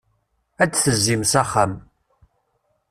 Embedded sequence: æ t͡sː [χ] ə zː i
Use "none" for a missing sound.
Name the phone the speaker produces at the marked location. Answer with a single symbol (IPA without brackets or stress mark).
θ